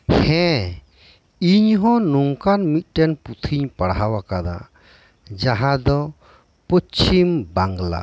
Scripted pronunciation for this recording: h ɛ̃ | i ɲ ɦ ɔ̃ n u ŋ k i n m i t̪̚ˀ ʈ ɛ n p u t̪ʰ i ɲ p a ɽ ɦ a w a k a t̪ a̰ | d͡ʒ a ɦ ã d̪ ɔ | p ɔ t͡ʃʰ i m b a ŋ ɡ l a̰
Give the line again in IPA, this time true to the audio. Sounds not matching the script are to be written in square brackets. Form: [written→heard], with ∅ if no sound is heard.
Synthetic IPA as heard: h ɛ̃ | i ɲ ɦ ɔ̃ n u ŋ k [i→a] n m i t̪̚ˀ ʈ ɛ n p u t̪ʰ i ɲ p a ɽ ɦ a w a k a [t̪→d̪] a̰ | d͡ʒ a ɦ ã d̪ ɔ | p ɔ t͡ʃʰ i m b a ŋ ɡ l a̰

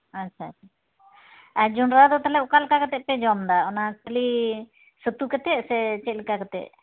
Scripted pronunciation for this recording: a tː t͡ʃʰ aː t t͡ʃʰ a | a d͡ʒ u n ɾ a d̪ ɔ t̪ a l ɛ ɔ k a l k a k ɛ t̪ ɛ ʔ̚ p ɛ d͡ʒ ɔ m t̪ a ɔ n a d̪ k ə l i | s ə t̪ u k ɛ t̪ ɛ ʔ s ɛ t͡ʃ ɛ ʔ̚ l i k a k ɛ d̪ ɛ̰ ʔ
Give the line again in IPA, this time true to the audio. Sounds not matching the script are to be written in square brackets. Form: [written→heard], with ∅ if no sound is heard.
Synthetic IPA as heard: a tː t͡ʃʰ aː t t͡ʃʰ a | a d͡ʒ u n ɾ a d̪ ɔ t̪ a l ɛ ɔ k a l k a k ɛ t̪ ɛ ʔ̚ p ɛ d͡ʒ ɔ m [t̪→d̪] a ɔ n a [d̪→∅] k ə l i | s ə t̪ u k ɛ t̪ ɛ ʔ s ɛ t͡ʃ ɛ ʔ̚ l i k a k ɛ [d̪→t̪] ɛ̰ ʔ

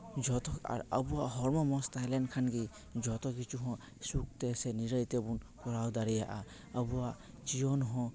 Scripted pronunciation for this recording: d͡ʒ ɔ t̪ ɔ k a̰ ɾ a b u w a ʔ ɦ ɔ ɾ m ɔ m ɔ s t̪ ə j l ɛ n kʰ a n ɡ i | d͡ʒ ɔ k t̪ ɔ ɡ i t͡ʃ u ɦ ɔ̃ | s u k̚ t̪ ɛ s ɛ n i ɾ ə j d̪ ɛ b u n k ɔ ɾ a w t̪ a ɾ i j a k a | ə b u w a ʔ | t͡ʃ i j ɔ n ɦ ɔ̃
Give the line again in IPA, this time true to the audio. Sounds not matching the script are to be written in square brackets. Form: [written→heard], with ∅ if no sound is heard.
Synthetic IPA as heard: d͡ʒ ɔ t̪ ɔ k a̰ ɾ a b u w a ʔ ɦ ɔ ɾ m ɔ m ɔ s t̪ [ə→a] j l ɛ n kʰ a n ɡ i | d͡ʒ ɔ [k→∅] t̪ ɔ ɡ i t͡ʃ u ɦ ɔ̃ | s u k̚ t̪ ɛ s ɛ n i ɾ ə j [d̪→t̪] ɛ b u n k ɔ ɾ a w [t̪→d̪] a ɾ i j a [k→ʔ] a | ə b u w a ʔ | t͡ʃ i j ɔ n ɦ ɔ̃

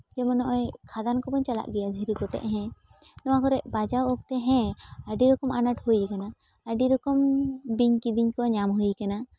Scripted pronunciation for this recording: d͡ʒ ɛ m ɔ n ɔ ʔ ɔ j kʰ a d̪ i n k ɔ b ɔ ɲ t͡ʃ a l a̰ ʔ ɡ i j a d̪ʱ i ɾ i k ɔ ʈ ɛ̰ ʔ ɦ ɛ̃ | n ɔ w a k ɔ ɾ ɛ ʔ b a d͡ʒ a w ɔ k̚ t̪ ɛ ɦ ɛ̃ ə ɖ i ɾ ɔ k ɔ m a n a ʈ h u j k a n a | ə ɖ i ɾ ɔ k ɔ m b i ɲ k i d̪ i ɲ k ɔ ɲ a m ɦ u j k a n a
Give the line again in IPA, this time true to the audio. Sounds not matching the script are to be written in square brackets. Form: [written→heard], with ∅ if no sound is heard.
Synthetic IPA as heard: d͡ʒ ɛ m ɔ n ɔ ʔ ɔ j kʰ a d̪ [i→a] n k ɔ b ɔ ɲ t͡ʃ a l a̰ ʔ ɡ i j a d̪ʱ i ɾ i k ɔ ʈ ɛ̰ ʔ ɦ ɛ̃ | n ɔ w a k ɔ ɾ ɛ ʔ b a d͡ʒ a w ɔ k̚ t̪ ɛ ɦ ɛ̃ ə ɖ i ɾ ɔ k ɔ m a n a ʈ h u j k a n a | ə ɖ i ɾ ɔ k ɔ m b i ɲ k i d̪ i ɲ k ɔ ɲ a m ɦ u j k a n a

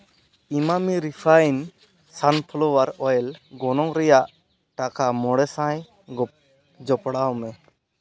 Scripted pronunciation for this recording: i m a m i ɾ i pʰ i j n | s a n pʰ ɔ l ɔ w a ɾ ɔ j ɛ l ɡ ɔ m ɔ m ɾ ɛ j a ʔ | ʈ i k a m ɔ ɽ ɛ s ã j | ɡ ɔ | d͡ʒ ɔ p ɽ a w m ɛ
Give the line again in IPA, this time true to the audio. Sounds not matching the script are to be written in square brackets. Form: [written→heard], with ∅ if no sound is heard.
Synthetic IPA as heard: i m a m i ɾ i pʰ [i→a] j n | s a n pʰ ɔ l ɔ w a ɾ ɔ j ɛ l ɡ ɔ [m→n] ɔ [m→ŋ] ɾ ɛ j a ʔ | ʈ [i→a] k a m ɔ ɽ ɛ s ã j | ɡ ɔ | d͡ʒ ɔ p ɽ a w m ɛ

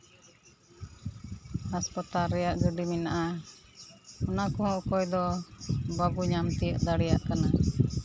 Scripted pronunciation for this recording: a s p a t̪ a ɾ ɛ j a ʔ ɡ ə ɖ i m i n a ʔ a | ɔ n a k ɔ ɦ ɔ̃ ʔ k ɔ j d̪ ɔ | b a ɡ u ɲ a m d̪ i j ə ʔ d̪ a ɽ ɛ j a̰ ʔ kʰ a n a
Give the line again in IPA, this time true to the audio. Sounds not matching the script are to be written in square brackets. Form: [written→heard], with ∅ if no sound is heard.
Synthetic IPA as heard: a s p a t̪ a ɾ ɛ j a ʔ ɡ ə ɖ i m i n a ʔ a | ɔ n a k ɔ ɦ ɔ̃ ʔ k ɔ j d̪ ɔ | b a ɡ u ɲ a m [d̪→t̪] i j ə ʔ d̪ a ɽ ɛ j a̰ ʔ [kʰ→k] a n a

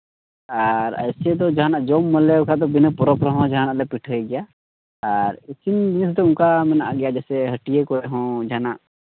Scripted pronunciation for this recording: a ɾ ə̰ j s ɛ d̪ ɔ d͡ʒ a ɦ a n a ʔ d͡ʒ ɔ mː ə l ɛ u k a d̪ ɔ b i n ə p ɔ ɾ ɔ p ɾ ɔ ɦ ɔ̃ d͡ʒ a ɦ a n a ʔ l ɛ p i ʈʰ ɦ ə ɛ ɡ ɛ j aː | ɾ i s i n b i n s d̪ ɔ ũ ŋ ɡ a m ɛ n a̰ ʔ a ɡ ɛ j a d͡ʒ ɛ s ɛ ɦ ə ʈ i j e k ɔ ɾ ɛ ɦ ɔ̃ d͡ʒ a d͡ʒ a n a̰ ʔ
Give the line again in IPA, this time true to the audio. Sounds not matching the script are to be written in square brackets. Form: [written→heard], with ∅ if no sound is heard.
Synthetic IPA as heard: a ɾ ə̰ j s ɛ d̪ ɔ d͡ʒ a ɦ a n a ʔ d͡ʒ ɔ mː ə l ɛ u k a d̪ ɔ b i n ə p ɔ ɾ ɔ p ɾ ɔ ɦ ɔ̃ d͡ʒ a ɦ a n a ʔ l ɛ p i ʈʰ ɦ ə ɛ ɡ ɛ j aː | ɾ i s i n b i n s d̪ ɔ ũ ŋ [ɡ→k] a m ɛ n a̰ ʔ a ɡ ɛ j a d͡ʒ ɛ s ɛ ɦ ə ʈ i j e k ɔ ɾ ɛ ɦ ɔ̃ d͡ʒ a [d͡ʒ→∅] a n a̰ ʔ

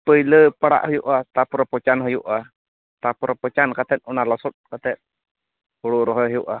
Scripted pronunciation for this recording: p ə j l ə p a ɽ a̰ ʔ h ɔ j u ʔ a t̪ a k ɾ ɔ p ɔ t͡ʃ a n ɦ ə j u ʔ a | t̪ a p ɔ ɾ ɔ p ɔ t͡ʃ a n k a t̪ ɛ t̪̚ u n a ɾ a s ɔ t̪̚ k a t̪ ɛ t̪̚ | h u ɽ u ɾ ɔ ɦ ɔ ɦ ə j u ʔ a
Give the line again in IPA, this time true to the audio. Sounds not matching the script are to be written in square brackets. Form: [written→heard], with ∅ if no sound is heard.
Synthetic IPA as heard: p ə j l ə p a ɽ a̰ ʔ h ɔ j u ʔ a t̪ a [k→p] ɾ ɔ p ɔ t͡ʃ a n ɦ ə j u ʔ a | t̪ a p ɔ ɾ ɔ p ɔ t͡ʃ a n k a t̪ ɛ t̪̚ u n a [ɾ→l] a s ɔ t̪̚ k a t̪ ɛ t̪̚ | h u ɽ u ɾ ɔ ɦ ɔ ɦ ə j u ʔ a

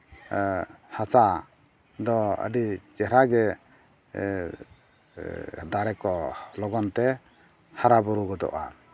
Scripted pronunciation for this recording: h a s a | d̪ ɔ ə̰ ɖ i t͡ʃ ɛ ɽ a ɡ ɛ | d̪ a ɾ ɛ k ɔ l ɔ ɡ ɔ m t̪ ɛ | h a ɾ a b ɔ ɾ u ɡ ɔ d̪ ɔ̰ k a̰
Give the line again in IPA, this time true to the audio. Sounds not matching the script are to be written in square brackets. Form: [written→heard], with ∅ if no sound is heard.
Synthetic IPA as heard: h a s a | d̪ ɔ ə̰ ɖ i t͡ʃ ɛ [ɽ→ɾ] a ɡ ɛ | d̪ a ɾ ɛ k ɔ l ɔ ɡ ɔ [m→n] t̪ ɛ | h a ɾ a b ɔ ɾ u ɡ ɔ d̪ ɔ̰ [k→ʔ] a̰

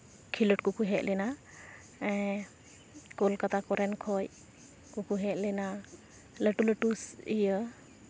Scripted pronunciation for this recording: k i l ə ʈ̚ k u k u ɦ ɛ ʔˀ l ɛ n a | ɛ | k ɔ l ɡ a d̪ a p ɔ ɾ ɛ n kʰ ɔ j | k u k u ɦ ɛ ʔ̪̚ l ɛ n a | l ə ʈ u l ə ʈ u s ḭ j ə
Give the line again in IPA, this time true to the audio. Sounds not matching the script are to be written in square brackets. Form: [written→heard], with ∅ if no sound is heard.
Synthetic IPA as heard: [k→kʰ] i l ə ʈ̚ k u k u ɦ ɛ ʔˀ l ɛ n a | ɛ | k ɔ l [ɡ→k] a [d̪→t̪] a [p→k] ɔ ɾ ɛ n kʰ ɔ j | k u k u ɦ ɛ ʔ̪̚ l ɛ n a | l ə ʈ u l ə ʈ u s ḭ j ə

